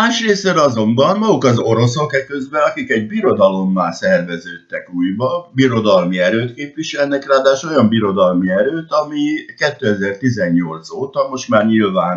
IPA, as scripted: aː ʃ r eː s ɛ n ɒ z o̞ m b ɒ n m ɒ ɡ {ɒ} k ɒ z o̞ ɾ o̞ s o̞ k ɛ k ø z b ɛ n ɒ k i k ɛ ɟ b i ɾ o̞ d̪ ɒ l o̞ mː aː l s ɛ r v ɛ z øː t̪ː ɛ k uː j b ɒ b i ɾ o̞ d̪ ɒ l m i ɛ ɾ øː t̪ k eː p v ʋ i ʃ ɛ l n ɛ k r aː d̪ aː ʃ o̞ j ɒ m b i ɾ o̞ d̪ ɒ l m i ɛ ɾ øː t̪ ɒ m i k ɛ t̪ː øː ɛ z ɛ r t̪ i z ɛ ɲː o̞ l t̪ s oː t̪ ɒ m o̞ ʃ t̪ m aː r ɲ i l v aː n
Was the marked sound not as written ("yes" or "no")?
yes